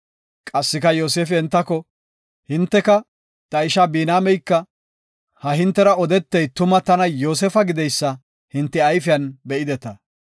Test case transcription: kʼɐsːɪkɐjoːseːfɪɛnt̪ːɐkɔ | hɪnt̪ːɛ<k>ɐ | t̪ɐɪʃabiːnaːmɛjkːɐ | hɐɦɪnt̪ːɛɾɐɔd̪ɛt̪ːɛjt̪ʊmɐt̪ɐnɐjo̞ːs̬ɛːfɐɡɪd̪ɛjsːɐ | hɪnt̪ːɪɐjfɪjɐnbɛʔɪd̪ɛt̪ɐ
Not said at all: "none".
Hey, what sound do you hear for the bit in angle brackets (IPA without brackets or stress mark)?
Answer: k